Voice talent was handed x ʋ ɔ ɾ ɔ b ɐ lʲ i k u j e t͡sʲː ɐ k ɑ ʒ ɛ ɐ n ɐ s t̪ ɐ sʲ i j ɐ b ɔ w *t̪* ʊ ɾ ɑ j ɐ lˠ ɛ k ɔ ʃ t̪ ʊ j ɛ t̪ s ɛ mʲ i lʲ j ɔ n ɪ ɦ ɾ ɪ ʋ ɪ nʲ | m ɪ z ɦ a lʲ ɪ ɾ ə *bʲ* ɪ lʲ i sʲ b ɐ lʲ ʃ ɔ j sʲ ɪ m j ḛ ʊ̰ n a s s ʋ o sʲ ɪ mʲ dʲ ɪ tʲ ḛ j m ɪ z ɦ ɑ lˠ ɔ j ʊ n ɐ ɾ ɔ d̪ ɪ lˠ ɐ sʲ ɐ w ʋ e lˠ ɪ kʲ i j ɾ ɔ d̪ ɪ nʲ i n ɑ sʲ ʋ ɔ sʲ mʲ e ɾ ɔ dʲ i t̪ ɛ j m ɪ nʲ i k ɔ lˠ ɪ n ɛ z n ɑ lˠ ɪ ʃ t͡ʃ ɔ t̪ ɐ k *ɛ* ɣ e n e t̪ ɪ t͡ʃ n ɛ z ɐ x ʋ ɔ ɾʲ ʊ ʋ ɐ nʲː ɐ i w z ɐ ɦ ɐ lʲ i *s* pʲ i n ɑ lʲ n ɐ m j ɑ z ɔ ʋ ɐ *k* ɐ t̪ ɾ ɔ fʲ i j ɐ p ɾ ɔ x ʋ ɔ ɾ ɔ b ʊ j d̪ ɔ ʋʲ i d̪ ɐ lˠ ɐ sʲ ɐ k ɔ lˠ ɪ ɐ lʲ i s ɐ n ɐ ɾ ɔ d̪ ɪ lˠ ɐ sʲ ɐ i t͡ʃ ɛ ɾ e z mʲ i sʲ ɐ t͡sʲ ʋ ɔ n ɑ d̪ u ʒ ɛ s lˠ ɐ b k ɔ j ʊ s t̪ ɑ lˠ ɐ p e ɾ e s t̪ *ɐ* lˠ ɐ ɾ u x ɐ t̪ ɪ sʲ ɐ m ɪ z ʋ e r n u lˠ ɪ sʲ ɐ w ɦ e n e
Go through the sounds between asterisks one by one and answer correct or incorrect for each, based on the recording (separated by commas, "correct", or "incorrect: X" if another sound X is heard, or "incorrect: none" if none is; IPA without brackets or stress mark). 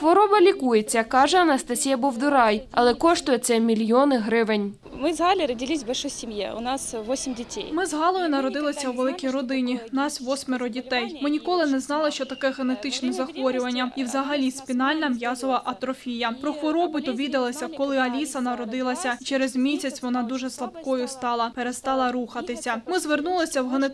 incorrect: d̪, incorrect: dʲ, correct, correct, incorrect: ʔ, incorrect: ɑ